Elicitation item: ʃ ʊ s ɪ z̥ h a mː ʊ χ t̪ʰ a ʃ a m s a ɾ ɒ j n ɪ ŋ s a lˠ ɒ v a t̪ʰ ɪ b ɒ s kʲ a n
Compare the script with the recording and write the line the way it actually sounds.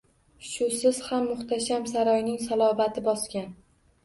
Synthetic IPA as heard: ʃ ʊ s ɪ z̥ h a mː ʊ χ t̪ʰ a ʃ a m s a ɾ ɒ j n ɪ ŋ s a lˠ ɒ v a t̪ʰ ɪ b ɒ s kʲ a n